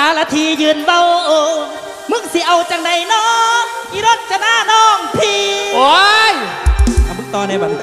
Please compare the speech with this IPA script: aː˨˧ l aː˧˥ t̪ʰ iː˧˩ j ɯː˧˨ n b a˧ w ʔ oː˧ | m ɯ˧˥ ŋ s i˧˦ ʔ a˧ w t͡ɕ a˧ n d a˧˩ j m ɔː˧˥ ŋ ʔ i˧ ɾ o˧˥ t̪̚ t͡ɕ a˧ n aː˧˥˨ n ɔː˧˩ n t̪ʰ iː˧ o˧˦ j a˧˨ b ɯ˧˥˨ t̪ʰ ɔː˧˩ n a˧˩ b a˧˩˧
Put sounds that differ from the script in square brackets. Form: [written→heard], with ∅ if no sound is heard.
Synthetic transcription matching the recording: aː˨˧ l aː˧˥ t̪ʰ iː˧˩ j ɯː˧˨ n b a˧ w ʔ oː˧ | m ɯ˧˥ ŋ s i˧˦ ʔ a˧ w t͡ɕ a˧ [n→ŋ] d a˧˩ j [m→n] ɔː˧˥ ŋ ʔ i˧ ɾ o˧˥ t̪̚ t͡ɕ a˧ n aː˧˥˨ n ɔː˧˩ [n→ŋ] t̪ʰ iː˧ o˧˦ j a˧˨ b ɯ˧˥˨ [t̪ʰ→t̪] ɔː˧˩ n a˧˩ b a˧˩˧